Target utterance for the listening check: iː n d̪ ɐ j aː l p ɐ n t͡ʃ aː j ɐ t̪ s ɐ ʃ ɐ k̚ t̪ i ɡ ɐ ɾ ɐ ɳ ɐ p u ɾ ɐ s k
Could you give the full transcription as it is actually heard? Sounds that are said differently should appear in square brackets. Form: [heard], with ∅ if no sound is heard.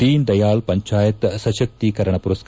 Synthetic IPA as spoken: iː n d̪ ɐ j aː l p ɐ [ɲ] t͡ʃ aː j ɐ t̪ s ɐ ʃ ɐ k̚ t̪ i [k] ɐ ɾ ɐ ɳ ɐ p u ɾ ɐ s k